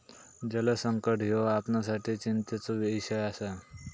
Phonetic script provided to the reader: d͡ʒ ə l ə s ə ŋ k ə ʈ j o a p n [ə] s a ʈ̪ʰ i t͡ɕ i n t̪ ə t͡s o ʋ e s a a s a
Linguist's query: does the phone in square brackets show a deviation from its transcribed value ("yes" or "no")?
yes